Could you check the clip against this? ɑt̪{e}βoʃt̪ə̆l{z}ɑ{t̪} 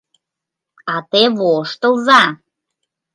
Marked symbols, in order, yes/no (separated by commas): yes, yes, no